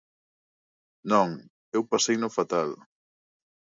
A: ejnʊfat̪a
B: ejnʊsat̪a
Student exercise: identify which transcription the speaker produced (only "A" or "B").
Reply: A